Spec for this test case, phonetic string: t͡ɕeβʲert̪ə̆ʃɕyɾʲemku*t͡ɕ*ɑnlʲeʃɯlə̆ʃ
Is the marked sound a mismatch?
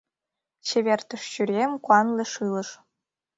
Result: yes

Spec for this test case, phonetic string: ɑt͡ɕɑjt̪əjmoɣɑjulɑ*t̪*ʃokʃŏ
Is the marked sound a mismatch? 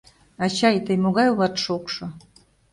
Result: no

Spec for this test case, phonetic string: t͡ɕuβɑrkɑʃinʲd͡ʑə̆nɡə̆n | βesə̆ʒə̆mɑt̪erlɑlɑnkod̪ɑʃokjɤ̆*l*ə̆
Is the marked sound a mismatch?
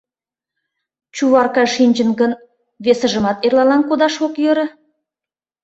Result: yes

